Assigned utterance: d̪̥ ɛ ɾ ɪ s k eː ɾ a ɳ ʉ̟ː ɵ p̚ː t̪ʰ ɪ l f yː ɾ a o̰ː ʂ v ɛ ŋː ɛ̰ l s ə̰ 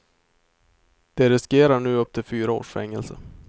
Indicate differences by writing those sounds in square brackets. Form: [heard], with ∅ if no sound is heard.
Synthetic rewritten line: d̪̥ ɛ ɾ ɪ s k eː ɾ a ɳ ʉ̟ː ɵ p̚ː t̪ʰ ɪ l f yː ɾ a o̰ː ʂ [f] ɛ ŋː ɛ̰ l s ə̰